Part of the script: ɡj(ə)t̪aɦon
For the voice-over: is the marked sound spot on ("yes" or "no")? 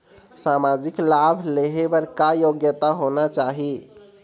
yes